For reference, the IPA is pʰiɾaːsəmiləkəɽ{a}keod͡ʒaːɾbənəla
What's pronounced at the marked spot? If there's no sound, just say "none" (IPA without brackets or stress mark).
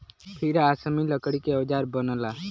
i